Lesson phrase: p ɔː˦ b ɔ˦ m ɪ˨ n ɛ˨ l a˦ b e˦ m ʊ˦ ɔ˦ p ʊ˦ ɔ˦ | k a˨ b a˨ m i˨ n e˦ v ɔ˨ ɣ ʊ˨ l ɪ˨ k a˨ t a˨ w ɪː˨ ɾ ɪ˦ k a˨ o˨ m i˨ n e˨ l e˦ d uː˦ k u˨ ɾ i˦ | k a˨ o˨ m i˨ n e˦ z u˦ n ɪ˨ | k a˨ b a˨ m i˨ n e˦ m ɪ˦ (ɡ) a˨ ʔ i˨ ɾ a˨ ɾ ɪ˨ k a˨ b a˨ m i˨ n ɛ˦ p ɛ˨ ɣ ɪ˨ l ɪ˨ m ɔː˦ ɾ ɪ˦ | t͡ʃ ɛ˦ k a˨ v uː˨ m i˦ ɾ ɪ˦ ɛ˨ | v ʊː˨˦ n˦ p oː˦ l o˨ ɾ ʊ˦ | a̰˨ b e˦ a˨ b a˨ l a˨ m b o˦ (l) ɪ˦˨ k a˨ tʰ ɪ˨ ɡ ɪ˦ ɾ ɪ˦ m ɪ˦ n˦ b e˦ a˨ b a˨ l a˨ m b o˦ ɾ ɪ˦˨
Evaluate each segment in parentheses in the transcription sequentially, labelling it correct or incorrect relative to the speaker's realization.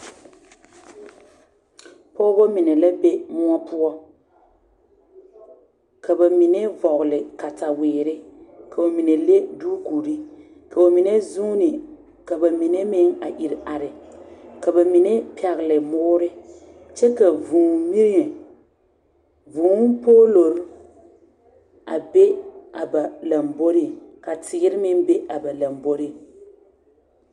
incorrect: ŋ, incorrect: ɾ

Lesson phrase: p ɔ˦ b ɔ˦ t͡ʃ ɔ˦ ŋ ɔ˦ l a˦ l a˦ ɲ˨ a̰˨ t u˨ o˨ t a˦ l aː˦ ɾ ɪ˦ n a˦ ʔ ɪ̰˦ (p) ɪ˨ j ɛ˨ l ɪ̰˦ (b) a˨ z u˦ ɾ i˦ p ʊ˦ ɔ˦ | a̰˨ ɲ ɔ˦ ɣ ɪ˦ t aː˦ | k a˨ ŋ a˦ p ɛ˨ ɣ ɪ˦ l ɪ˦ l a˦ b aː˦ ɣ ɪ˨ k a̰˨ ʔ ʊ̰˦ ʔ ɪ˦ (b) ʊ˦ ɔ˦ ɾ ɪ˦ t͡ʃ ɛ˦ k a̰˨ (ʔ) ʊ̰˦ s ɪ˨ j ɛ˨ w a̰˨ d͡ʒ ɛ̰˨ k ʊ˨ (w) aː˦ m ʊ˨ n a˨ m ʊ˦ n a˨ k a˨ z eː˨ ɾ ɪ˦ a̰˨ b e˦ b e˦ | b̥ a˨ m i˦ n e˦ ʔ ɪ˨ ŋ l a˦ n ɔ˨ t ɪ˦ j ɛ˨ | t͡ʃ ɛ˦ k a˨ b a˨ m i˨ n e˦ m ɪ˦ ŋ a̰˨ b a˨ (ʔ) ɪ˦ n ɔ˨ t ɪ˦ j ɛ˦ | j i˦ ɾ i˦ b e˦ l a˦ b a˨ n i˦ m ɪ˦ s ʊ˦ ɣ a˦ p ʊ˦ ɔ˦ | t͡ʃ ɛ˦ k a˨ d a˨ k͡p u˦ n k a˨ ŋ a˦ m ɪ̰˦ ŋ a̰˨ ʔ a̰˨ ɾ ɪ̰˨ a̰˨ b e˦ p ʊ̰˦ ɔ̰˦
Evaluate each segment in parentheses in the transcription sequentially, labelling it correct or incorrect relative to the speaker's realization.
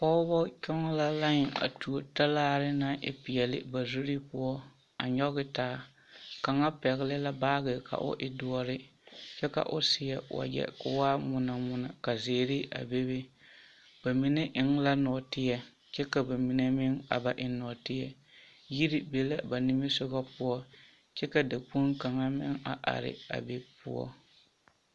correct, correct, incorrect: d, correct, correct, correct

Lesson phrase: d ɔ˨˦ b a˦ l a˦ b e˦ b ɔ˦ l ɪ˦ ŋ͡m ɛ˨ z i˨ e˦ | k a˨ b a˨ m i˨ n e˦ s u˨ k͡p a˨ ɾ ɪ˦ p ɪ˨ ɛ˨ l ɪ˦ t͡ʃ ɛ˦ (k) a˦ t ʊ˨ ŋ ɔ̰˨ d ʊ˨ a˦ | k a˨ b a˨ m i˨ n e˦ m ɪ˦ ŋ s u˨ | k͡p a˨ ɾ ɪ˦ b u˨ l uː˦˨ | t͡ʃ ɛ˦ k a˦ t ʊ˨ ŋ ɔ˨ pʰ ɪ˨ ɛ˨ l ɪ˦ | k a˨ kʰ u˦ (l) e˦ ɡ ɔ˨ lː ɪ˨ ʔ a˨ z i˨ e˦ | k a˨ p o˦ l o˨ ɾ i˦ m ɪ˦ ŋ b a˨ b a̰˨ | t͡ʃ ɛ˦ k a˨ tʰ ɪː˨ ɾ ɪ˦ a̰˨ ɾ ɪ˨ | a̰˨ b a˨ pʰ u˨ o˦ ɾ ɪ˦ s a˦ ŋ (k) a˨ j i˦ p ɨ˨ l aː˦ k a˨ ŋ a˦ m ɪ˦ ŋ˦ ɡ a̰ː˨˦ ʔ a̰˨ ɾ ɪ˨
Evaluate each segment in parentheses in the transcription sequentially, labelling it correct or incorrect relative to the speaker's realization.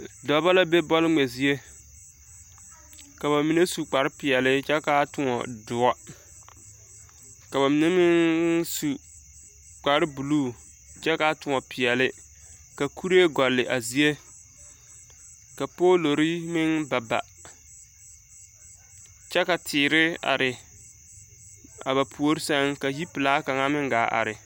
correct, incorrect: ɾ, correct

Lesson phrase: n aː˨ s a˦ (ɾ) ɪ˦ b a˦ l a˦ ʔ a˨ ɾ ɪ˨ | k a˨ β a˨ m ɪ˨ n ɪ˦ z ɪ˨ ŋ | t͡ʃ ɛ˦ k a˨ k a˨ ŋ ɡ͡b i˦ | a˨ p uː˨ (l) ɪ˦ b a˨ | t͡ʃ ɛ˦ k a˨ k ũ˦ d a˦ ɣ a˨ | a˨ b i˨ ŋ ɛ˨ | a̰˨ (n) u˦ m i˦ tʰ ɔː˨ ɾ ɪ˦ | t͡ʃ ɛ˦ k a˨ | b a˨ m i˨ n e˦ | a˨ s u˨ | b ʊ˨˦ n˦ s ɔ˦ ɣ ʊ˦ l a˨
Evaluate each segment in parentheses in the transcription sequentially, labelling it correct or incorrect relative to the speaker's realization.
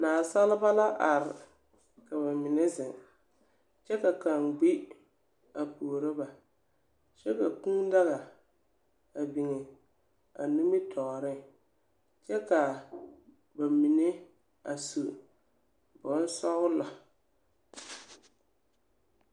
incorrect: l, incorrect: ɾ, correct

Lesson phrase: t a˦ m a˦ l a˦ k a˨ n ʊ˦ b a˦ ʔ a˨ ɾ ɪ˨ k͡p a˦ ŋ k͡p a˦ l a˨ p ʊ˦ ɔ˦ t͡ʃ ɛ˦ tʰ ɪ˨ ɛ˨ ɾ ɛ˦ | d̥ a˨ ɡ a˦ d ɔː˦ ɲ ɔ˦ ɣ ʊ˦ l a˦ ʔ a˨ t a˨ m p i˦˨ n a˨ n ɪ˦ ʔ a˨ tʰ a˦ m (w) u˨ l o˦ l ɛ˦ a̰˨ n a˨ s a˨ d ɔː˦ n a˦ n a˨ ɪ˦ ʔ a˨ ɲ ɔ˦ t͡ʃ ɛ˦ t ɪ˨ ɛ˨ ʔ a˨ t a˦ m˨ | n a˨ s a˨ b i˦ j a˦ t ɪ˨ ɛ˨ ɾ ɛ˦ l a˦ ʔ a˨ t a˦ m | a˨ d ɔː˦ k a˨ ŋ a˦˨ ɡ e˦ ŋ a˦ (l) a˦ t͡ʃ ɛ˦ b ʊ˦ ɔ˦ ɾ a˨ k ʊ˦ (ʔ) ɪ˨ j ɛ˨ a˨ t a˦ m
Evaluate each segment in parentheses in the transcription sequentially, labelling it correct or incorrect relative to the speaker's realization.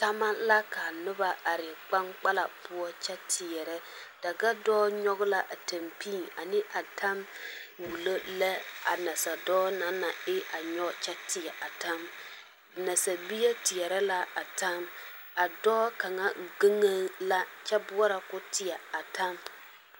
correct, correct, incorrect: t

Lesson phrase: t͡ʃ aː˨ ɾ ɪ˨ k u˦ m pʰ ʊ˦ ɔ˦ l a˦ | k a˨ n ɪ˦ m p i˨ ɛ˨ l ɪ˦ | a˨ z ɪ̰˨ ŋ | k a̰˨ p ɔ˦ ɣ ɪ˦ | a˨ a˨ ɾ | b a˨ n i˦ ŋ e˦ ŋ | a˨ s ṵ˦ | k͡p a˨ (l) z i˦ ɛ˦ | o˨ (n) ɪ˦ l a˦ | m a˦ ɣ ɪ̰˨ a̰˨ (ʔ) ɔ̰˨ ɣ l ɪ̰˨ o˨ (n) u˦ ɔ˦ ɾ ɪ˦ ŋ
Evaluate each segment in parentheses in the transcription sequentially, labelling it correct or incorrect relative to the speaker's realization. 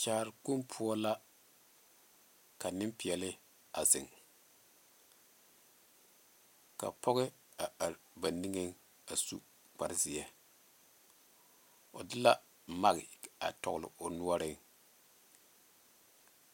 incorrect: ɾ, incorrect: d, incorrect: t, correct

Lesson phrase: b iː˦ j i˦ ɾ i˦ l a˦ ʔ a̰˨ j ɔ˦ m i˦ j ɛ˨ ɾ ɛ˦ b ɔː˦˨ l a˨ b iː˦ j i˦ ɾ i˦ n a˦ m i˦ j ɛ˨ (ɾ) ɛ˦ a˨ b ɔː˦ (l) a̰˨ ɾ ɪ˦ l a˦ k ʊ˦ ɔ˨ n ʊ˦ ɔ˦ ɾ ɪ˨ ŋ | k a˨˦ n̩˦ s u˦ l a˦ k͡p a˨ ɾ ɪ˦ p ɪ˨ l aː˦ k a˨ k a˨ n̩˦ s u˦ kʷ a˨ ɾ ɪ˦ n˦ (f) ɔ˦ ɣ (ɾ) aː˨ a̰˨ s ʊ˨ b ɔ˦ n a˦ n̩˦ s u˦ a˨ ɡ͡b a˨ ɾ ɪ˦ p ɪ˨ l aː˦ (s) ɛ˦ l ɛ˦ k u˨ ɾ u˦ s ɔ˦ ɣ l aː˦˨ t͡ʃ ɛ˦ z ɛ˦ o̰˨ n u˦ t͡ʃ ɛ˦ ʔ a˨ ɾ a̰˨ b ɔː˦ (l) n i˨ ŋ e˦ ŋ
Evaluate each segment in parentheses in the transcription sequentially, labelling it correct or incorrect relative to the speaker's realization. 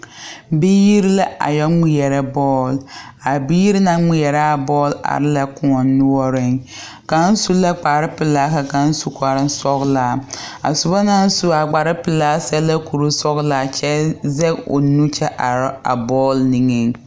correct, correct, incorrect: s, incorrect: l, correct, correct

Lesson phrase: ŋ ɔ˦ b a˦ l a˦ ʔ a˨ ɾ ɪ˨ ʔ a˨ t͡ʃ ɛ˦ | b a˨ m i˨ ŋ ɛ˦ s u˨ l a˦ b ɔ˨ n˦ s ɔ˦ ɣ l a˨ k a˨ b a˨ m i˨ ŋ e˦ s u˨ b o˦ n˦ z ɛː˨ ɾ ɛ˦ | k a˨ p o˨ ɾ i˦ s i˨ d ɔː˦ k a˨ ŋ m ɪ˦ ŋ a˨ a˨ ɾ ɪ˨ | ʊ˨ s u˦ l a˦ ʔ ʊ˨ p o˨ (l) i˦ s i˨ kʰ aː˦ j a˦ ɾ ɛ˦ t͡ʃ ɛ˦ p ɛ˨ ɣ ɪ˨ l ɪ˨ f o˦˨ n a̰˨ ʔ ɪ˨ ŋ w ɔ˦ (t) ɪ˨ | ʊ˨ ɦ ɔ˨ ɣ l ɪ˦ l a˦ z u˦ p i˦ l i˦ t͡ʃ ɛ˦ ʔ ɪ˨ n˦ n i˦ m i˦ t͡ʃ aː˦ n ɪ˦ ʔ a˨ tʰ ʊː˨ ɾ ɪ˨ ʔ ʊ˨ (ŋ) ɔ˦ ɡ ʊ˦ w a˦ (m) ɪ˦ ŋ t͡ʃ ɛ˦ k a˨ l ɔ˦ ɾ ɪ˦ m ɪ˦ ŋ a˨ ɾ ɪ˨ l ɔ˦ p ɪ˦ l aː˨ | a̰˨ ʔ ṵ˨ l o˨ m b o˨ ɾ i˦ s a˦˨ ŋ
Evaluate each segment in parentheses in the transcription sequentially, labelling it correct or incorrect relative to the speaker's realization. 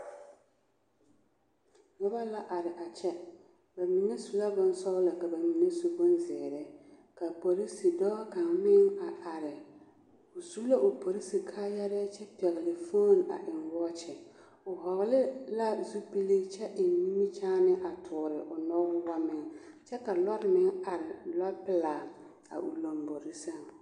incorrect: ɾ, incorrect: t͡ʃ, incorrect: n, correct

